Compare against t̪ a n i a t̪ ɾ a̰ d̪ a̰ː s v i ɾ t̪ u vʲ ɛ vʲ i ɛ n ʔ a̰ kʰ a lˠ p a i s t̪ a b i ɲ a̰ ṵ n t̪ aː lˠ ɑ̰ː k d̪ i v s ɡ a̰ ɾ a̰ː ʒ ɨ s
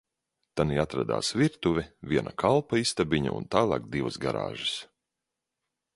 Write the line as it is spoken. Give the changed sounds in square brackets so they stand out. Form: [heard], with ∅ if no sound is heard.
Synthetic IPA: t̪ a n i a t̪ ɾ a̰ d̪ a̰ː s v i ɾ t̪ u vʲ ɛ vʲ i ɛ n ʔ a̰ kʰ a lˠ p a i s t̪ a b i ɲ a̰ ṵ n t̪ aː lˠ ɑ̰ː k d̪ i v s ɡ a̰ ɾ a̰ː ʒ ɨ s